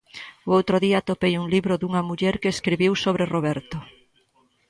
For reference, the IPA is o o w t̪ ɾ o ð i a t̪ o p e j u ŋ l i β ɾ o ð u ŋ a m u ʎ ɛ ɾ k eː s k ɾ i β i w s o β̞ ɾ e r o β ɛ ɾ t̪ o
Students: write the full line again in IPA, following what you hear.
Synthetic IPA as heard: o o w t̪ ɾ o ð i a t̪ o p e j u ŋ l i β ɾ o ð u ŋ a m u ʎ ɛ ɾ k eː s k ɾ i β i w s o β̞ ɾ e r o β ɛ ɾ t̪ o

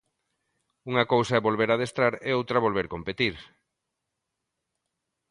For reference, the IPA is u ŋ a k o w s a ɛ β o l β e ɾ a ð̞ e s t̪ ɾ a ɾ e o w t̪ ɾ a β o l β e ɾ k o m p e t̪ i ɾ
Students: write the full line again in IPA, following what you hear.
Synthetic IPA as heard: u ŋ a k o w s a ɛ β o l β e ɾ a ð̞ e s t̪ ɾ a ɾ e o w t̪ ɾ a β o l β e ɾ k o m p e t̪ i ɾ

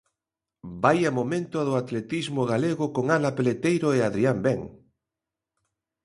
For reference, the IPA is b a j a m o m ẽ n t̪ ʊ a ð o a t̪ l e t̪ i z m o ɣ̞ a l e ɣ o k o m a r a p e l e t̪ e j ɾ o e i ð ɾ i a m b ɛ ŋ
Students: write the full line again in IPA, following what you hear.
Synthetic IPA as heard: b a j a m o m ẽ n t̪ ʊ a ð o a t̪ l e t̪ i z m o ɣ̞ a l e ɣ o k o ŋ a l a p e l e t̪ e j ɾ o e a ð ɾ i a m b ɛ ŋ

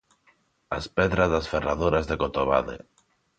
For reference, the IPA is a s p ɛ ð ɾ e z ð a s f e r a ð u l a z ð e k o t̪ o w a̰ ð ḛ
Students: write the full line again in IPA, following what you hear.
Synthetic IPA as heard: a s p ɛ ð ɾ a z ð a s f e r a ð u ɾ a z ð e k o t̪ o β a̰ ð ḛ

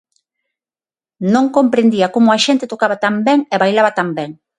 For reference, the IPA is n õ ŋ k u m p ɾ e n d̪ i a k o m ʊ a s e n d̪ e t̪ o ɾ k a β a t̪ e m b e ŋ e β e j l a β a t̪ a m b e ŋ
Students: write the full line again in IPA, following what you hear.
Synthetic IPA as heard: n õ ŋ k o m p ɾ e n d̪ i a k o m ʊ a ʃ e n t̪ e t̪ o k a β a t̪ a m b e ŋ e β a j l a β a t̪ a m b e ŋ

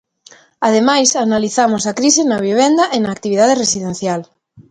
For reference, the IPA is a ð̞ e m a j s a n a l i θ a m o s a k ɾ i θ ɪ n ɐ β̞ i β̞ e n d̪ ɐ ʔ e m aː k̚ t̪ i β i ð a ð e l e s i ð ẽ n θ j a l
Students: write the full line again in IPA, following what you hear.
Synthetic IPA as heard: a ð̞ e m a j s a n a l i θ a m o s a k ɾ i s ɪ n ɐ β̞ i β̞ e n d̪ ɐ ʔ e n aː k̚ t̪ i β i ð a ð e r e s i ð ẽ n θ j a l

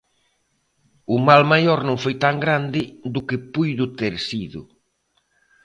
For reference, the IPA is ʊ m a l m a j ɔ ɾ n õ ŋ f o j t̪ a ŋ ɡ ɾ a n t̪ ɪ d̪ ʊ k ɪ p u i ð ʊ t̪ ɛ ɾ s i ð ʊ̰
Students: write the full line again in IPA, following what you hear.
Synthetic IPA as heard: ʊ m a l m a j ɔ ɾ n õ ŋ f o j t̪ a ŋ ɡ ɾ a n d̪ ɪ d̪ ʊ k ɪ p u j ð ʊ t̪ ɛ ɾ s i ð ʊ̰

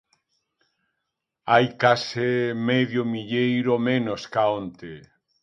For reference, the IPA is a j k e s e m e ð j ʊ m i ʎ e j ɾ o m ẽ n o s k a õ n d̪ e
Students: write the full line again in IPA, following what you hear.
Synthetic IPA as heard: a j k a s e m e ð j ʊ m i ʎ e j ɾ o m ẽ n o s k a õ n t̪ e

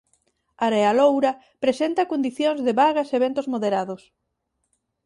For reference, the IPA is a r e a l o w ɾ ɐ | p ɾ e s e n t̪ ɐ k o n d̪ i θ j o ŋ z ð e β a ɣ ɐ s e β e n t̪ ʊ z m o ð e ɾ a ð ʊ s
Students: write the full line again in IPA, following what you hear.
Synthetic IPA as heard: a ɾ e a l o w ɾ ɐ | p ɾ e s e n t̪ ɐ k o n d̪ i θ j o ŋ z ð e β a ɣ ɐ s e β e n t̪ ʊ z m o ð e ɾ a ð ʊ s

